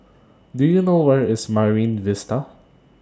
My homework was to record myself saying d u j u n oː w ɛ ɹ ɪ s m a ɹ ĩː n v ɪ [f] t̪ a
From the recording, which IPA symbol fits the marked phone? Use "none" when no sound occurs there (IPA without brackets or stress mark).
s